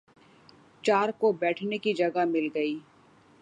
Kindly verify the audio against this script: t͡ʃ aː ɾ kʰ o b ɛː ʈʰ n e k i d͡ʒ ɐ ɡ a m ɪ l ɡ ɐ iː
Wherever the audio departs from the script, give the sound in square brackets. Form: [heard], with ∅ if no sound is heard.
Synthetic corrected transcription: t͡ʃ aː ɾ [k] o b ɛː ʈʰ n e k i d͡ʒ ɐ ɡ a m ɪ l ɡ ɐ iː